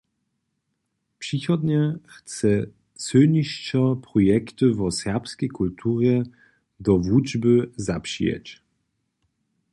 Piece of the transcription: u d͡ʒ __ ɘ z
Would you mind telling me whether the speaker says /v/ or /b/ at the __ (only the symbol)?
b